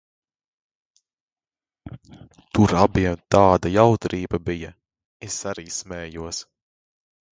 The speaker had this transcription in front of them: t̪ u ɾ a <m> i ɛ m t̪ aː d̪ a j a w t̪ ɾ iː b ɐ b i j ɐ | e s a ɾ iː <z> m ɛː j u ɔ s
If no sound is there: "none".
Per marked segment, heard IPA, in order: b, s

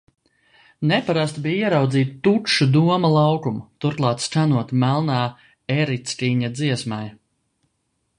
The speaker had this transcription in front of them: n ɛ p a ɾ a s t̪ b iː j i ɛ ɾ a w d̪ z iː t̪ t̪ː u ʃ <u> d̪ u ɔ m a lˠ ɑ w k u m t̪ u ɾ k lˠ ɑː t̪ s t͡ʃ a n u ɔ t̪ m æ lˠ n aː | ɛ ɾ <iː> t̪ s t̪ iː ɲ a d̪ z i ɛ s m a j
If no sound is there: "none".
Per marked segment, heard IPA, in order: u, i

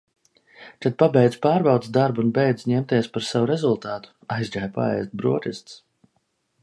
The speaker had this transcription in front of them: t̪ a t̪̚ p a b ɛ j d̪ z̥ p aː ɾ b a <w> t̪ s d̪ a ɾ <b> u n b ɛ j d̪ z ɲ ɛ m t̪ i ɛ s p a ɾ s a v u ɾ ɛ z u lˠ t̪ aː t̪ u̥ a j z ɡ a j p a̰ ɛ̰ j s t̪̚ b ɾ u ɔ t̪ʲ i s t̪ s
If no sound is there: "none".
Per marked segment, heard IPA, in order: w, b

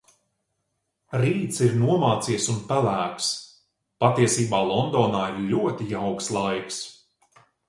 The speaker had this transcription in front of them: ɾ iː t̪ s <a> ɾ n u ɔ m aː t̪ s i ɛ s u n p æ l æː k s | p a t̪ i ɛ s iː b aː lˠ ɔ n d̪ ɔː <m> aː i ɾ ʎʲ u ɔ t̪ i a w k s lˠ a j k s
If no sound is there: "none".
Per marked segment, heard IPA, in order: i, n

